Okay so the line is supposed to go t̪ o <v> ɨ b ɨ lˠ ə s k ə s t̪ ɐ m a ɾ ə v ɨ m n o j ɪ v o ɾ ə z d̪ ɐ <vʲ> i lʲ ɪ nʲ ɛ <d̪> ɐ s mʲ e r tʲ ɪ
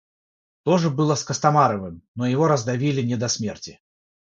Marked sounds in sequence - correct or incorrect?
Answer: incorrect: ʐ, correct, correct

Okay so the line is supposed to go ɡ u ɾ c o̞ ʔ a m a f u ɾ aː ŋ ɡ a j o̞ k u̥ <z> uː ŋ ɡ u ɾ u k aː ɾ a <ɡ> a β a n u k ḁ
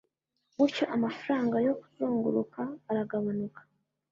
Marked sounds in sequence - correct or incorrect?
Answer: correct, correct

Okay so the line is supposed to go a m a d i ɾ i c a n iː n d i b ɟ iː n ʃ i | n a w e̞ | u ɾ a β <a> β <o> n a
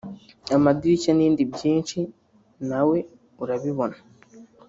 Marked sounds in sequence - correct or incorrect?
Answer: incorrect: i, correct

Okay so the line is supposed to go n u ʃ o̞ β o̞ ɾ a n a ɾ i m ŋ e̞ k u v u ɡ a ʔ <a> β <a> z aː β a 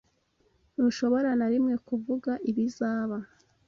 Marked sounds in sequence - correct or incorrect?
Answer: incorrect: i, incorrect: i

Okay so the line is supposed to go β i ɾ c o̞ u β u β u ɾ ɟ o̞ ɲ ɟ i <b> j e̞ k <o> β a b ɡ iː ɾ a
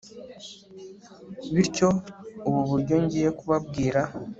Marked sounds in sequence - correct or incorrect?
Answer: incorrect: none, incorrect: u

